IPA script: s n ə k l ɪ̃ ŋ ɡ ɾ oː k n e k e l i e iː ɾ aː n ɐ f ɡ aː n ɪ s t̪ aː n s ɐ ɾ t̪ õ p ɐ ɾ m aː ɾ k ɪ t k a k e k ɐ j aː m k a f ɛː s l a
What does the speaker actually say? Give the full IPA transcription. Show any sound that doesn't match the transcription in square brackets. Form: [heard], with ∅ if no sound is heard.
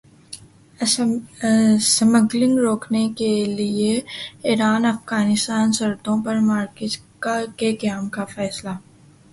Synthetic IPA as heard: s [m] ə [ɡ] l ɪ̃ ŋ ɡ ɾ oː k n e k e l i e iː ɾ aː n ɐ f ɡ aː n ɪ s t̪ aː n s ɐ ɾ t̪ õ p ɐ ɾ m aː ɾ k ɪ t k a k e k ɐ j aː m k a f ɛː s l a